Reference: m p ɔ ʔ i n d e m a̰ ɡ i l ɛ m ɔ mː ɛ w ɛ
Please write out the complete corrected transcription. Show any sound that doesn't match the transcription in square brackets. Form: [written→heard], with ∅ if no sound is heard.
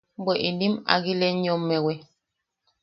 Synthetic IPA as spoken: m [p→b] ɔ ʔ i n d [e→i] m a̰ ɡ i l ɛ [m→ɲ] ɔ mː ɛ w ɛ